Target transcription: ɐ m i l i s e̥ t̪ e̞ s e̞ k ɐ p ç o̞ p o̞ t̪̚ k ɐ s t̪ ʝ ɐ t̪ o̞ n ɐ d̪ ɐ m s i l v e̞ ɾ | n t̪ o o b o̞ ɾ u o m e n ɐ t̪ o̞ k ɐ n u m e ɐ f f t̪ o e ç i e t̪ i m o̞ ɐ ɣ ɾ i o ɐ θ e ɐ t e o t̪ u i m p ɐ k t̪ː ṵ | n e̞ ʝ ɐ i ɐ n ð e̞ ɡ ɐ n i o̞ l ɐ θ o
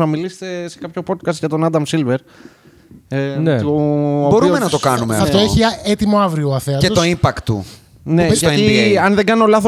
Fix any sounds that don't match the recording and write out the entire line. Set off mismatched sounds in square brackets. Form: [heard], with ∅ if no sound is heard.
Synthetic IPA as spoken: ɐ m i l i s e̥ t̪ e̞ s e̞ k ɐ p ç o̞ p o̞ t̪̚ k ɐ s t̪ ʝ ɐ t̪ o̞ n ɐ d̪ ɐ m s i l v e̞ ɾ | n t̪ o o b o̞ ɾ u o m e n ɐ t̪ o̞ k ɐ n u m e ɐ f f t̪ o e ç i e t̪ i m o̞ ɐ [v] ɾ i o ɐ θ e ɐ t e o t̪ [o] i m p ɐ k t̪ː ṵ | n e̞ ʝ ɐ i ɐ n ð e̞ ɡ ɐ n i o̞ l ɐ θ o